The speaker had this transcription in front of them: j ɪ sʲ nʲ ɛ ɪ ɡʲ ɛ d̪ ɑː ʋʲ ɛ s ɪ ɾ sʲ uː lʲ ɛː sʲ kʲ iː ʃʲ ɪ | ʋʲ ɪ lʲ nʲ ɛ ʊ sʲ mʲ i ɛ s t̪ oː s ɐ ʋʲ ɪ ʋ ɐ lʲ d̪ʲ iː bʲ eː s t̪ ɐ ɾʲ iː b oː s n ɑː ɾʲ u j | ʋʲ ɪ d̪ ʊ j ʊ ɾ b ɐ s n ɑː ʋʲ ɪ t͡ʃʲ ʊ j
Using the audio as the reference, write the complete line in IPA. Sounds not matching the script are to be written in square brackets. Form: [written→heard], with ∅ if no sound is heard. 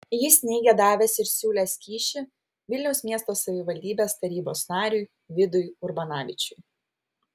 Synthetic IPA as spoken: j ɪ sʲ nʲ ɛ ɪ ɡʲ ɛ d̪ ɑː ʋʲ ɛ s ɪ ɾ sʲ uː lʲ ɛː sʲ kʲ iː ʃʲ ɪ | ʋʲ ɪ lʲ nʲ ɛ ʊ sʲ mʲ i ɛ s t̪ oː s ɐ ʋʲ ɪ ʋ ɐ lʲ d̪ʲ iː bʲ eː s t̪ ɐ ɾʲ iː b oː s n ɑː ɾʲ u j | ʋʲ ɪ d̪ ʊ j ʊ ɾ b ɐ [s→∅] n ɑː ʋʲ ɪ t͡ʃʲ ʊ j